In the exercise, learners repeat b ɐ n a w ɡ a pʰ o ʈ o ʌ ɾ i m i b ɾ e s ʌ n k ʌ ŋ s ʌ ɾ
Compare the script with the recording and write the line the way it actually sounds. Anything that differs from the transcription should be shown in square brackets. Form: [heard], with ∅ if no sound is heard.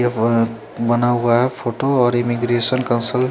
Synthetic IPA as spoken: b [ʌ] n a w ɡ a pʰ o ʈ o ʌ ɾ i m i [ɡ] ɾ e s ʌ n k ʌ [n] s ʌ [l]